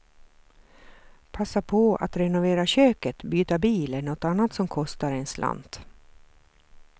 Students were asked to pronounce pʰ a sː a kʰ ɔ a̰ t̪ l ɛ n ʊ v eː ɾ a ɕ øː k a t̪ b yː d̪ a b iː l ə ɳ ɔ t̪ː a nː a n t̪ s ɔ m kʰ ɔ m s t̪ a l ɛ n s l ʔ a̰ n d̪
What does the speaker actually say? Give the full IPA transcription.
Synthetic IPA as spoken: pʰ a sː a pʰ ɔ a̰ t̪ ɾ ɛ n ʊ v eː ɾ a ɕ øː k ə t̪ b yː t̪ a b iː l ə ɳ ɔ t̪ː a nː a t̪ s ɔ m kʰ ɔ s t̪ a ɾ ɛ n s l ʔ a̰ n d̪